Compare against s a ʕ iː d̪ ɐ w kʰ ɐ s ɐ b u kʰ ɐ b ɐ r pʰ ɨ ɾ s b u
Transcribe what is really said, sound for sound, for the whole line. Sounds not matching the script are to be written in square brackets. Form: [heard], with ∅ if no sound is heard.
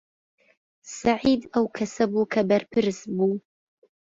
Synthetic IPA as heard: s a ʕ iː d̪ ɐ w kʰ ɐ s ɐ b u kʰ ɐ b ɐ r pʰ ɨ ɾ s b u